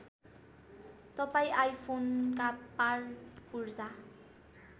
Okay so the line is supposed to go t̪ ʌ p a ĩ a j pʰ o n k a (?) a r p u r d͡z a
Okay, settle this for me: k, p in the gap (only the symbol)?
p